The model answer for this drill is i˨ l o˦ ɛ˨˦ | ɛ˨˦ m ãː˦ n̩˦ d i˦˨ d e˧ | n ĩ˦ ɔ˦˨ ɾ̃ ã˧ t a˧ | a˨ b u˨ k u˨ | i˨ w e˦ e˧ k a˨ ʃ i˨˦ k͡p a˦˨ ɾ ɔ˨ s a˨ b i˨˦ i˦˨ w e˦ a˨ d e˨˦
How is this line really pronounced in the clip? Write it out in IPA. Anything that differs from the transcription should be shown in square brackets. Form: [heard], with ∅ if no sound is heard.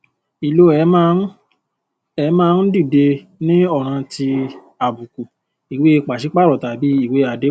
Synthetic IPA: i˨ l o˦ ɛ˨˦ | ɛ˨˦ m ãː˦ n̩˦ d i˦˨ d e˧ | n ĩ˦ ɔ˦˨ ɾ̃ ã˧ t [i˧] | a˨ b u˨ k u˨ | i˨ w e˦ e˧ [k͡p] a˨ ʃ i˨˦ k͡p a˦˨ ɾ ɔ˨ [t] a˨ b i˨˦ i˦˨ w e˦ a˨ d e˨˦